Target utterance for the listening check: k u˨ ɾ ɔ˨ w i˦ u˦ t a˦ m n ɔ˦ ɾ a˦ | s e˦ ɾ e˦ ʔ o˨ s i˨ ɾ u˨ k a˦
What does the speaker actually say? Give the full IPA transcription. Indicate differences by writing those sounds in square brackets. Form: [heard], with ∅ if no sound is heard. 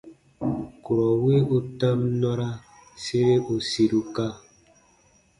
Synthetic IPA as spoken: k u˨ ɾ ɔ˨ w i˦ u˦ t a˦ m n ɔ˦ ɾ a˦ | s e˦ ɾ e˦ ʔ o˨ s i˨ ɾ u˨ k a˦